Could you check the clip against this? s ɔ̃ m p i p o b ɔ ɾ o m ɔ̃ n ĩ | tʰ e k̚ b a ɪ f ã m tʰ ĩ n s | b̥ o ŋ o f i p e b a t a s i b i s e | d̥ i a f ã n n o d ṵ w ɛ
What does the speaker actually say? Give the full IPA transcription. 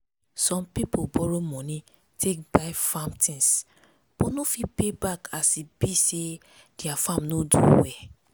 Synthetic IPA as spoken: s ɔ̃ m p i p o b ɔ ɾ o m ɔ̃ n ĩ | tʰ e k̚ b a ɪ f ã m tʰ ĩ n s | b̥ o n o f i p e b a k a s i b i s e | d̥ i a f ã m n o d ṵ w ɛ

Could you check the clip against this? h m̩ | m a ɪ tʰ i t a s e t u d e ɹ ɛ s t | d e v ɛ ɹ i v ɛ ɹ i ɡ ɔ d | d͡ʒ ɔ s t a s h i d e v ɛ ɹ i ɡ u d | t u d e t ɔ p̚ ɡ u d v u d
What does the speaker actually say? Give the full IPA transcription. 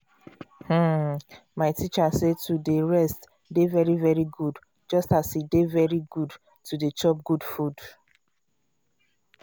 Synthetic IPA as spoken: h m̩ | m a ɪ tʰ i t͡ʃ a s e t u d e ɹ ɛ s t | d e v ɛ ɹ i v ɛ ɹ i ɡ u d | d͡ʒ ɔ s t a s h i d e v ɛ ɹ i ɡ u d | t u d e t͡ʃ ɔ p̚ ɡ u d f u d

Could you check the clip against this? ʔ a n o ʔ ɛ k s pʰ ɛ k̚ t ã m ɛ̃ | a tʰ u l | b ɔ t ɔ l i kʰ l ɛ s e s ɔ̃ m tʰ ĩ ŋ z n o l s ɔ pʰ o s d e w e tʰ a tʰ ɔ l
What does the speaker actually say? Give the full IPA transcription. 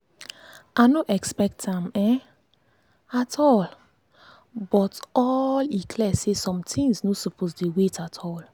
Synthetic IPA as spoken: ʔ a n o ʔ ɛ k s p ɛ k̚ t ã m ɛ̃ | a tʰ ɔ l | b ɔ t ɔ l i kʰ l ɛ s e s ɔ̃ m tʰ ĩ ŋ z n o s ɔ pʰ o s d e w e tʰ a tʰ ɔ l

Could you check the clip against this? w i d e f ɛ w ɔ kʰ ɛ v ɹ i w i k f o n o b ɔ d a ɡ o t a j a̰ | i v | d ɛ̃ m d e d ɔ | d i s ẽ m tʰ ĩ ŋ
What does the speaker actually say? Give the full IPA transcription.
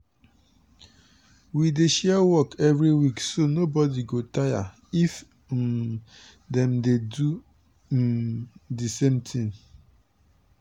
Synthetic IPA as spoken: w i d e ʃ ɛ w ɔ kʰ ɛ v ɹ i w i k s o n o b ɔ d i ɡ o t a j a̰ | i f | d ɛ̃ m d e d u | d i s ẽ m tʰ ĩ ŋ

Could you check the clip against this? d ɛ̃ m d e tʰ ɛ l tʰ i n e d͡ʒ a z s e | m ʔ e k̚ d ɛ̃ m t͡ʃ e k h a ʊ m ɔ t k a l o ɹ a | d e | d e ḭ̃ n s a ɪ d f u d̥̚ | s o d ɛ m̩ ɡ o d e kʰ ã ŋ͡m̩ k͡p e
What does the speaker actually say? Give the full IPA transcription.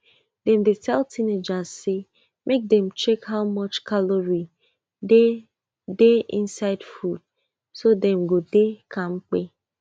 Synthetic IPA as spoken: d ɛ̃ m d e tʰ ɛ l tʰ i n e d͡ʒ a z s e | m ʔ e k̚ d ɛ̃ m t͡ʃ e k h a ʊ m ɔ t͡ʃ k a l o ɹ i | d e | d e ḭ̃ n s a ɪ d f u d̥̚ | s o d ɛ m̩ ɡ o d e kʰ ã ŋ͡m̩ k͡p e

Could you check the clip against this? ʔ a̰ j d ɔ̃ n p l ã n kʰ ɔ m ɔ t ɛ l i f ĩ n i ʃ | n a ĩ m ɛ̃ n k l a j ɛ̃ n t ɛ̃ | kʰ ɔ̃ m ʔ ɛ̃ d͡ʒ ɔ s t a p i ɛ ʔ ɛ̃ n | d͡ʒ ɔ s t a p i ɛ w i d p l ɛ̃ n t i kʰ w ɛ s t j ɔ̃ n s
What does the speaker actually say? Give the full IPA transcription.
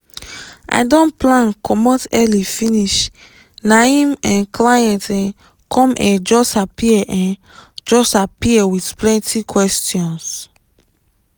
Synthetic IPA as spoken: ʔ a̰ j d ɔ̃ n p l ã n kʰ ɔ m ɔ t ɛ l i f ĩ n i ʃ | n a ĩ m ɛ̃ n k l a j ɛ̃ n t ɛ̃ | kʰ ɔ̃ m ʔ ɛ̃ d͡ʒ ɔ s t a p i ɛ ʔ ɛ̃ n | d͡ʒ ɔ s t a p i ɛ w i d p l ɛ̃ n t i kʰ w ɛ s t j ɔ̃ n s

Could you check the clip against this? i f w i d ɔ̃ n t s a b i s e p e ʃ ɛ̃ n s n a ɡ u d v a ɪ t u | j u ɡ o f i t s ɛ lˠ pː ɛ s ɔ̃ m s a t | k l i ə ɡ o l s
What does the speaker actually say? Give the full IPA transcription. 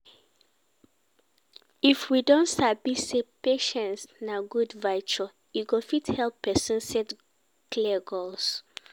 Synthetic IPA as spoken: i f w i d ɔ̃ n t s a b i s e p e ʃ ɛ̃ n s n a ɡ u d v a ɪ t͡ʃ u | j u ɡ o f i t h ɛ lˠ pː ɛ s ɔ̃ n s ɛ t | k l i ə ɡ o l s

